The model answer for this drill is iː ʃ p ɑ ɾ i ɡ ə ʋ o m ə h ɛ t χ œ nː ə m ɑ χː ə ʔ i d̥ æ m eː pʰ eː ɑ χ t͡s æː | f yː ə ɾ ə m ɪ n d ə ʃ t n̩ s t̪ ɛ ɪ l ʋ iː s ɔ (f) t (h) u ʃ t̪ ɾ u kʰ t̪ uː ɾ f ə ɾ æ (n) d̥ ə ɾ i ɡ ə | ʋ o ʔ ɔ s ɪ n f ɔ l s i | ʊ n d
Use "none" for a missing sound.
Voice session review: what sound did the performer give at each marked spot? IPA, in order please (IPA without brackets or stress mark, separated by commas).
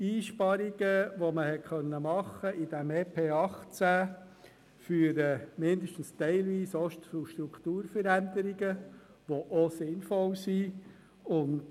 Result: ʃ, f, n